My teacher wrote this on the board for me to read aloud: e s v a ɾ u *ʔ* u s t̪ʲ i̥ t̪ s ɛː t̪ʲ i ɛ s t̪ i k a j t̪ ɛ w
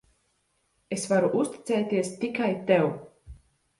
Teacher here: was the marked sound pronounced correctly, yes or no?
yes